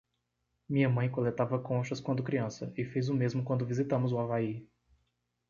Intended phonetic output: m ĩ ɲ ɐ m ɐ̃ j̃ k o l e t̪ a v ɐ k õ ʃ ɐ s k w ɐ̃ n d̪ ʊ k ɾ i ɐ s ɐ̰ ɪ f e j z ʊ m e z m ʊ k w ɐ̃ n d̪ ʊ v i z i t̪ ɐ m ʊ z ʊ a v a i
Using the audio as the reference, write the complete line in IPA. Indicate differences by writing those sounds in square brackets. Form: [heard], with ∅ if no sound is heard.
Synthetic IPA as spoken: m ĩ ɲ ɐ m ɐ̃ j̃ k o l e t̪ a v ɐ k õ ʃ ɐ s k w ɐ̃ n d̪ ʊ k ɾ i [ɐ̃] s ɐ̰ ɪ f e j z ʊ m e z m ʊ k w ɐ̃ n d̪ ʊ v i z i t̪ [ɐ̃] m ʊ z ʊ a v a i

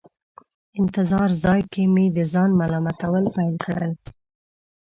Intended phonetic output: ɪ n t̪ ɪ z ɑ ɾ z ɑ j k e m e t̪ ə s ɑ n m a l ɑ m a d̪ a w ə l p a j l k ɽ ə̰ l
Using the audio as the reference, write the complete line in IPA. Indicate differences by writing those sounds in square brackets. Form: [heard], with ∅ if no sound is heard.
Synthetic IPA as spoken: ɪ n t̪ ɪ z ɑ ɾ z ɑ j k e m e [d̪] ə [z] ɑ n m a l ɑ m a [t̪] a w ə l p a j l k ɽ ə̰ l

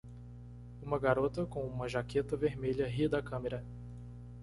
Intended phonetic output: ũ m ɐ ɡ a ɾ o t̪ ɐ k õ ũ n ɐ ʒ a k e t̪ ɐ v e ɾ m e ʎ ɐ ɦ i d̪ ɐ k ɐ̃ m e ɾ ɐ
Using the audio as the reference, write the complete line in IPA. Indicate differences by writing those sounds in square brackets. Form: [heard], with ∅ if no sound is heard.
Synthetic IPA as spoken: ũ m ɐ ɡ a ɾ o t̪ ɐ k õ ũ [m] ɐ ʒ a k e t̪ ɐ v e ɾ m e ʎ ɐ ɦ i d̪ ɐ k ɐ̃ m e ɾ ɐ

